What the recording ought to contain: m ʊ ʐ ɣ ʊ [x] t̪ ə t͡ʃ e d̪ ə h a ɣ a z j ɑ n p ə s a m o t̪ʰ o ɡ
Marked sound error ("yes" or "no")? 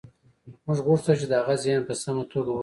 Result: yes